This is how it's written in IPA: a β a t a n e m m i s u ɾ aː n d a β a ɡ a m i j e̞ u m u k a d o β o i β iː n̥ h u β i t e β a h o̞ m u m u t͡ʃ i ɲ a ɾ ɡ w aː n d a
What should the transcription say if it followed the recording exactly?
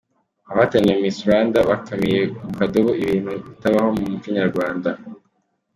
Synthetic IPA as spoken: a β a t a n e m m i s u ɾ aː n d a β a k a m i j e̞ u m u k a d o β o i β iː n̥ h u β i t a β a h o̞ m u m u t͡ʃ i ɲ a ɾ ɡ w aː n d a

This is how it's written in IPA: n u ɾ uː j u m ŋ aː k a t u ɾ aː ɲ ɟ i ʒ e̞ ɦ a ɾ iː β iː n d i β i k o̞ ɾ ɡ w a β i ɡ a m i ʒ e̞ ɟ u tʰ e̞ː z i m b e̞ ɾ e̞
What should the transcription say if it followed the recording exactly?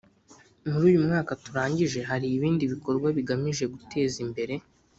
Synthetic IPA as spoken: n u ɾ uː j u m ŋ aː k a t u ɾ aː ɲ ɟ i ʒ e̞ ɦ a ɾ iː β iː n d i β i k o̞ ɾ ɡ w a β i ɡ a m i ʒ e̞ ɡ u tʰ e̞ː z i m b e̞ ɾ e̞

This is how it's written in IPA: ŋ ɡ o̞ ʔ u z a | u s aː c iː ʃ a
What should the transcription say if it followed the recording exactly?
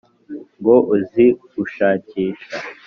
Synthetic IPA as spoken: ŋ ɡ o̞ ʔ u z i | u ʃ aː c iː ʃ a

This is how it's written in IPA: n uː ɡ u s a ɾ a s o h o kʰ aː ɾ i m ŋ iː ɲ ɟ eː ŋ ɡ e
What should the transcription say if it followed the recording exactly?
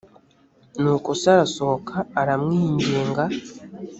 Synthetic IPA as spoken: n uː k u s a ɾ a s o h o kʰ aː ɾ a m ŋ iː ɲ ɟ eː ŋ ɡ a

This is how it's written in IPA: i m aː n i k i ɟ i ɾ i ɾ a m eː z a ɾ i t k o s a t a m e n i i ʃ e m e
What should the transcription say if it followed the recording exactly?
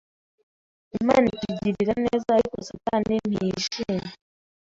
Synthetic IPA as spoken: i m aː n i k i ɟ i ɾ i ɾ a n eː z a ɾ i k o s a t a n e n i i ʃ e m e

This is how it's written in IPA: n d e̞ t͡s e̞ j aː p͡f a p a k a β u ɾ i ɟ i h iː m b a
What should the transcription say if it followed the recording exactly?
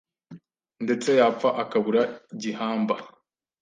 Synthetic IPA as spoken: n d e̞ t͡s e̞ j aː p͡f a ʔ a k a β u ɾ a ɟ i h aː m b a

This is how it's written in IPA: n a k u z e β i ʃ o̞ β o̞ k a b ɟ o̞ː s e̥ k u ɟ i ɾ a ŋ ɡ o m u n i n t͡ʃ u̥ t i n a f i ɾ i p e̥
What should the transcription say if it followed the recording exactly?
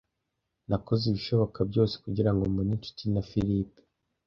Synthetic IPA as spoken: n a k o z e β i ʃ o̞ β o̞ k a b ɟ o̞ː s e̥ k u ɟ i ɾ a ŋ ɡ o m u n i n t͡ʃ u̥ t i n a f i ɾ i p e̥

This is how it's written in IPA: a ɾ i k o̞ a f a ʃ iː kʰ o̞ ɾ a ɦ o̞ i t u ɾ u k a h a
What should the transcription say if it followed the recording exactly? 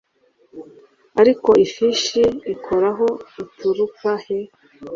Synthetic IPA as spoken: a ɾ i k o̞ i f i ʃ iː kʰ o̞ ɾ a ɦ o̞ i t u ɾ u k a h e

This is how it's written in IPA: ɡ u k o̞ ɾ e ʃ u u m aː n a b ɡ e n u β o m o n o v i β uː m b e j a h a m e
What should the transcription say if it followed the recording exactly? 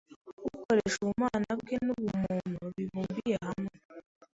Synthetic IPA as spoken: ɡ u k o̞ ɾ e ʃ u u m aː n a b ɡ e n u β u m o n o β i β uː m b i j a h a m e

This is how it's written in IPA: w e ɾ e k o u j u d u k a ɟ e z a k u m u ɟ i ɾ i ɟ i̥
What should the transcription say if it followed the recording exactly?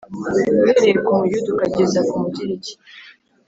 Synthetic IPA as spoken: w e ɾ e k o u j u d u k a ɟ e z a k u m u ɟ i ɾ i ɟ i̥

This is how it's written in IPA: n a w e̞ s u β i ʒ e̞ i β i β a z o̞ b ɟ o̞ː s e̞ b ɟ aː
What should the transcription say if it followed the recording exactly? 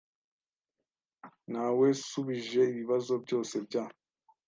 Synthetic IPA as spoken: n a w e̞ s u β i ʒ e̞ i β i β a z o̞ b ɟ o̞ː s e̞ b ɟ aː

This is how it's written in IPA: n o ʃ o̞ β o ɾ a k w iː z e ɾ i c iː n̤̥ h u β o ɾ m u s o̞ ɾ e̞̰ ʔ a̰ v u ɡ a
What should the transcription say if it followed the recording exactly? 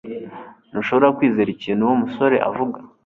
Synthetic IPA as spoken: n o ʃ o̞ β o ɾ a k w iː z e ɾ i c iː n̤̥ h u w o m u s o̞ ɾ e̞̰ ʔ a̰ v u ɡ a

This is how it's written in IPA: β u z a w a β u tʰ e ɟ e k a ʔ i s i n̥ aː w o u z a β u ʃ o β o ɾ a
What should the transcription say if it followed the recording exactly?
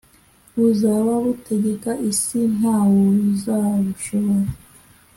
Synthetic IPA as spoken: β u z a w a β u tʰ e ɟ e k a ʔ i s i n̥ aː w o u z a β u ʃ o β o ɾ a

